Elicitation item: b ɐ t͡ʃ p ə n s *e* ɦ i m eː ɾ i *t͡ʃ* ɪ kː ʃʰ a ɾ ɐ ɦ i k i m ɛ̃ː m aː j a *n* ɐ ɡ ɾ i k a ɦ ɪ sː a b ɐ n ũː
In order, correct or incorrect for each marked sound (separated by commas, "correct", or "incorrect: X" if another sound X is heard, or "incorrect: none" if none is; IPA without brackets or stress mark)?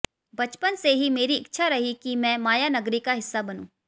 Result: correct, incorrect: none, correct